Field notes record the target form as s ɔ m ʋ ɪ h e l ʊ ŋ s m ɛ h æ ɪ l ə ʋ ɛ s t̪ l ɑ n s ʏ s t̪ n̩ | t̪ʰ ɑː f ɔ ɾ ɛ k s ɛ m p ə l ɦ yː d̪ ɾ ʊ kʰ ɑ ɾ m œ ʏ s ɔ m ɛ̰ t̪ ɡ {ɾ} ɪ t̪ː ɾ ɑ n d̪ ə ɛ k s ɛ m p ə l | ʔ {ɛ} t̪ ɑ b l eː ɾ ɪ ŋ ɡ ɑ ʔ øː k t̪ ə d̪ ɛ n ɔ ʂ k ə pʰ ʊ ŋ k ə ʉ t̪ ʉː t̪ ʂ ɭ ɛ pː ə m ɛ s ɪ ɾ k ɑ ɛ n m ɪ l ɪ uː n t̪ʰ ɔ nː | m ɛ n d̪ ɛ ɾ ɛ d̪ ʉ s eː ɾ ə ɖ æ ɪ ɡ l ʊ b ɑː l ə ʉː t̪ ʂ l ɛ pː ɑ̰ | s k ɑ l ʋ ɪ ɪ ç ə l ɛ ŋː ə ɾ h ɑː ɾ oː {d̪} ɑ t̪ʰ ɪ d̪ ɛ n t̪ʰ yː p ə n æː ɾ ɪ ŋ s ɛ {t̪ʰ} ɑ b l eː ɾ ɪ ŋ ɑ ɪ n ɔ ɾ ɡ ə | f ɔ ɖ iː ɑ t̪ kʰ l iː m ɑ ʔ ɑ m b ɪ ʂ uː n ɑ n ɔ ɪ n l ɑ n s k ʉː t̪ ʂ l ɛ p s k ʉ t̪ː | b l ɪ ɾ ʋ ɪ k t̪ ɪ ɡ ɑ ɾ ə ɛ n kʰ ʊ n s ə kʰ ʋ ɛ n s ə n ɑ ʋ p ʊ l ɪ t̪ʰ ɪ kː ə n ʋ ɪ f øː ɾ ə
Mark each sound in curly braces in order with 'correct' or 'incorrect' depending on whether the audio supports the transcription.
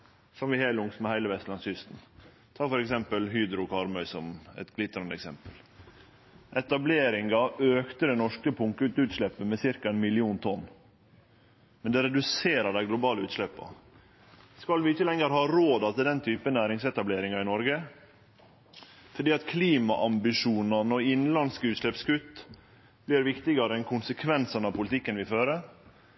incorrect, correct, correct, incorrect

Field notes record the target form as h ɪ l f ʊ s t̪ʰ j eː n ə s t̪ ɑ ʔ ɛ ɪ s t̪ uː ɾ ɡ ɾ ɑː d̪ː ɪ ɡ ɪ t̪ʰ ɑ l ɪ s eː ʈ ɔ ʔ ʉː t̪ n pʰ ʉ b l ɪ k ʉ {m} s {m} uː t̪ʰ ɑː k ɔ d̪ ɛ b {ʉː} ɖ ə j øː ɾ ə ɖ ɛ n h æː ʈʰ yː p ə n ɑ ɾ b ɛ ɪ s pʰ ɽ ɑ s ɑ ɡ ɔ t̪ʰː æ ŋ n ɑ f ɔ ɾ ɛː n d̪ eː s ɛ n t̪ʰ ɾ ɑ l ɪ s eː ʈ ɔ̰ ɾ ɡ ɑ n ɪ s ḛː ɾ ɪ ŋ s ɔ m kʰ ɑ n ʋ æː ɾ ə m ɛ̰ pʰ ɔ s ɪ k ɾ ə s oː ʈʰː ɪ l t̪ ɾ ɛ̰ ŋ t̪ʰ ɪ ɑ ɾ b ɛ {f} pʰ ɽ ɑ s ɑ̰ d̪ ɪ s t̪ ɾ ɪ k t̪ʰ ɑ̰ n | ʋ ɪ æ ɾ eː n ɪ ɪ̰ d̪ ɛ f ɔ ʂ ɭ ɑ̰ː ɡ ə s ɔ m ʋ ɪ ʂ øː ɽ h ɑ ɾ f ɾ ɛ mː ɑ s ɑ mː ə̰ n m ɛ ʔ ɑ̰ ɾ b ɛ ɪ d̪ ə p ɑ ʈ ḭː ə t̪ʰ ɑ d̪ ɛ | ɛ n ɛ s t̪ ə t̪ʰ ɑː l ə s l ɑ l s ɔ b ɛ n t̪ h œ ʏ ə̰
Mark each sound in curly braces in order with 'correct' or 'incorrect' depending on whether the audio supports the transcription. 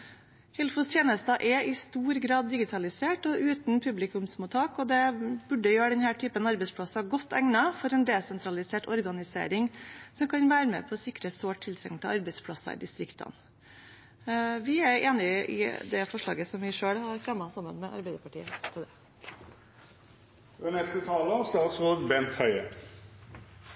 correct, correct, incorrect, incorrect

